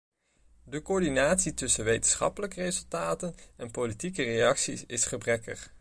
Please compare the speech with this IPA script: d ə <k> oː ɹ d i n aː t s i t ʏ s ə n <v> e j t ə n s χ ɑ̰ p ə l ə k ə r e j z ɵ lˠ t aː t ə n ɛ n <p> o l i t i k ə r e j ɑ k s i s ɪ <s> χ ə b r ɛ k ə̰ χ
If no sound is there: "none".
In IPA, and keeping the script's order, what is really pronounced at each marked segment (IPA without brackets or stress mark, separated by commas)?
k, ʋ, p, s